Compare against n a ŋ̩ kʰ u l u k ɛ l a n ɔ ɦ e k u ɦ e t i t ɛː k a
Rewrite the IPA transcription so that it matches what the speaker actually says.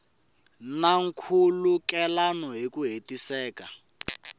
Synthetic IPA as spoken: n a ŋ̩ kʰ u l u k ɛ l a n ɔ ɦ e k u ɦ e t i s ɛː k a